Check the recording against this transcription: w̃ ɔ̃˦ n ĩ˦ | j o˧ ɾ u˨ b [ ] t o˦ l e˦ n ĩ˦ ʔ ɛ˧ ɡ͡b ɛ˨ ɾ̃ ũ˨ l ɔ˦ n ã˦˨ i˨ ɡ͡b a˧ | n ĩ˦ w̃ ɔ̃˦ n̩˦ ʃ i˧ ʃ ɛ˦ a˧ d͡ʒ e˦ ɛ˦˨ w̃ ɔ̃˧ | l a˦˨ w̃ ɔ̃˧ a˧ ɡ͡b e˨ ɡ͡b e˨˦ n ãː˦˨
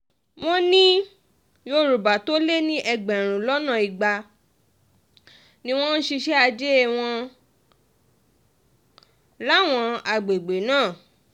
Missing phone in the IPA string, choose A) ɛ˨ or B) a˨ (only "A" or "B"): B